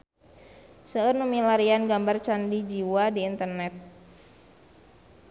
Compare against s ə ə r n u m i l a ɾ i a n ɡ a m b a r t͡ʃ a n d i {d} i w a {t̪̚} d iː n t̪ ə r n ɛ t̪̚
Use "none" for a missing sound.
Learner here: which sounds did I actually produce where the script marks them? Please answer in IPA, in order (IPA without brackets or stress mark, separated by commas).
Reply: d͡ʒ, none